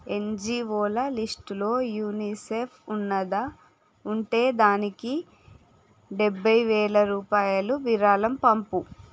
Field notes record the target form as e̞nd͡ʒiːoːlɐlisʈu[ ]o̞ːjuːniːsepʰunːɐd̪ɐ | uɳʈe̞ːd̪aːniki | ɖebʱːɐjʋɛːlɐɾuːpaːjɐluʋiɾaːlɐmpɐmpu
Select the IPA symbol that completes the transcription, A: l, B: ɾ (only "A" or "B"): A